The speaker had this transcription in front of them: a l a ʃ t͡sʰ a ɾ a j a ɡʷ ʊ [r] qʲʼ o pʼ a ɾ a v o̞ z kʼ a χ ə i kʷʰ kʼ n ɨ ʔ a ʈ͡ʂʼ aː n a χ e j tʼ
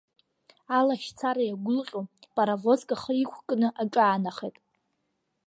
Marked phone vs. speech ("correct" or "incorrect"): incorrect